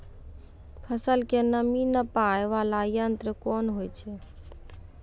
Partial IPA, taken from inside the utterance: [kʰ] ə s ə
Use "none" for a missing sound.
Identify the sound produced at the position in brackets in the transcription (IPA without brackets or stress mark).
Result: pʰ